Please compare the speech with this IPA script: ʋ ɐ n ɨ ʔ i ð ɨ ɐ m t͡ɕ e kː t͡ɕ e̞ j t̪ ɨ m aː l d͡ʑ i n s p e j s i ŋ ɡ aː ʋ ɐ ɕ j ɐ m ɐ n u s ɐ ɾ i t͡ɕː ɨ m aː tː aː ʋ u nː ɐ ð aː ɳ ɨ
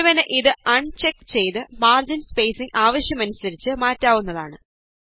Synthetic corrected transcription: ʋ ɐ n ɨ ʔ i ð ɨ ɐ ɳ t͡ɕ e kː t͡ɕ e̞ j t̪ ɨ m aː r d͡ʑ i n s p e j s i ŋ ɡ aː ʋ ɐ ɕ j ɐ m ɐ n u s ɐ ɾ i t͡ɕː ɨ m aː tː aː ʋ u nː ɐ ð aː ɳ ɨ

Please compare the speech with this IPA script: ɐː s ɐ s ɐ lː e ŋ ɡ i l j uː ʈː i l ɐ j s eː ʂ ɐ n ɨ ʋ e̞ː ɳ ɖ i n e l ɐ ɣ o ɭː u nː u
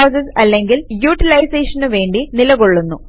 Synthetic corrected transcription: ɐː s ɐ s ɐ lː e ŋ ɡ i l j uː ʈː i l ɐ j s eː ʂ ɐ n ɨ ʋ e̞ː ɳ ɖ i n i l ɐ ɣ o ɭː u nː u

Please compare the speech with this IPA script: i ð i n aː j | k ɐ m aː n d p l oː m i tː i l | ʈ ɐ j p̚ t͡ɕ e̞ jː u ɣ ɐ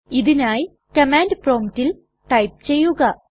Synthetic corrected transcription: i ð i n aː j | k ɐ m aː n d p r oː m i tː i l | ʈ ɐ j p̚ t͡ɕ e̞ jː u ɣ ɐ

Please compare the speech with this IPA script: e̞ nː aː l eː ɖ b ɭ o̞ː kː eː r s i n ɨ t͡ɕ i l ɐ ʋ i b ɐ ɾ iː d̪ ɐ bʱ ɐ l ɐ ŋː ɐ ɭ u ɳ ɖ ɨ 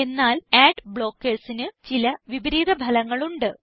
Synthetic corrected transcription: e̞ nː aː l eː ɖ b ɭ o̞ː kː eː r s i n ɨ t͡ɕ i l ɐ ʋ i b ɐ ɾ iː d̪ ɐ bʱ ɐ l ɐ ŋː ɐ ɭ u ɳ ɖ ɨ

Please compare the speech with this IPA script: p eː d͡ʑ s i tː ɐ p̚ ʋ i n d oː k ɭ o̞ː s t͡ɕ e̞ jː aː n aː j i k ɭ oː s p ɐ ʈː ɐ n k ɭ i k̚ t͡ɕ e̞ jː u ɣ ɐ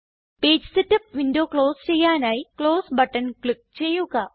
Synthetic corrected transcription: p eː d͡ʑ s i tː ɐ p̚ ʋ i n d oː k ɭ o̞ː s t͡ɕ e̞ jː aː n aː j i k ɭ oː s b ɐ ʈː ɐ n k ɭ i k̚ t͡ɕ e̞ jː u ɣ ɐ

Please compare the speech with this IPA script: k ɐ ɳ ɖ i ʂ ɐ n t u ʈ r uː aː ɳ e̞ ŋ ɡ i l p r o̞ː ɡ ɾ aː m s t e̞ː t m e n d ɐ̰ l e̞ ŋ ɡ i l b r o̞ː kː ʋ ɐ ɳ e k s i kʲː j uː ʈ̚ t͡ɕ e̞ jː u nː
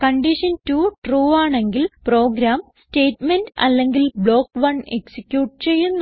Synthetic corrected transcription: k ɐ ɳ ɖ i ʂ ɐ n t u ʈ r uː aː ɳ e̞ ŋ ɡ i l p r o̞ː ɡ ɾ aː m s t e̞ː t m e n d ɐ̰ lː e̞ ŋ ɡ i l b ɭ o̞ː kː ʋ ɐ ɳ e k s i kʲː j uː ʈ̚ t͡ɕ e̞ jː u nː

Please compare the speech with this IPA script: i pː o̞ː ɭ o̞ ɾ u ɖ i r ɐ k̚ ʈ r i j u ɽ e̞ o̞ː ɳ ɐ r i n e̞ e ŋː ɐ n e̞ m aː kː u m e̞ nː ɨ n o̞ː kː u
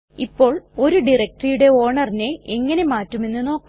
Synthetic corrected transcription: i pː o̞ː ɭ o̞ ɾ u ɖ i r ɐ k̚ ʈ r i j u ɽ e̞ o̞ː ɳ ɐ r i n e̞ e ŋː ɐ n e̞ m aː tː u m e̞ nː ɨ n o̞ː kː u

